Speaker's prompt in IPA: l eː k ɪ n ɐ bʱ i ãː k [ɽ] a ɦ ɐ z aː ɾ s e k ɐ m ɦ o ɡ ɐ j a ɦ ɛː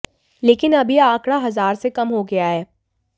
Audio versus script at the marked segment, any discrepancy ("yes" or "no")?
no